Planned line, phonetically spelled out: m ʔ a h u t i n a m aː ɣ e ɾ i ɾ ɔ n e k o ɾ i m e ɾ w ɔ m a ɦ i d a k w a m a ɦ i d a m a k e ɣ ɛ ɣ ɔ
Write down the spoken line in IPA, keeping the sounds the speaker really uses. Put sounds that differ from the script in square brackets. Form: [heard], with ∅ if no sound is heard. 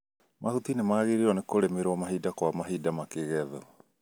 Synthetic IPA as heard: m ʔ a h u t i n [e] m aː ɣ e ɾ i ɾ ɔ n e k o ɾ [e] m e ɾ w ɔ m a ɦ i d a k w a m a ɦ i d a m a k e ɣ ɛ [ð] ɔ